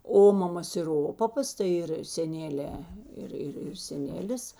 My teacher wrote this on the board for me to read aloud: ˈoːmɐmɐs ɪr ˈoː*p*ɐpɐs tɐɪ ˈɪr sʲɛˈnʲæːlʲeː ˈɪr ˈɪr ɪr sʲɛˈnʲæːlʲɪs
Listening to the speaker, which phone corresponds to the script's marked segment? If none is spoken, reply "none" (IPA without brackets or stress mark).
p